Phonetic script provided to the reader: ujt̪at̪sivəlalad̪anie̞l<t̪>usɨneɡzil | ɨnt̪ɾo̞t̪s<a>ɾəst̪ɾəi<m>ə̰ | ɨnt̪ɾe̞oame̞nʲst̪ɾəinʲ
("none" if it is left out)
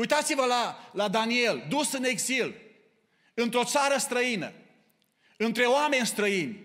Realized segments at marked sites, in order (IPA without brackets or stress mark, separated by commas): d̪, a, n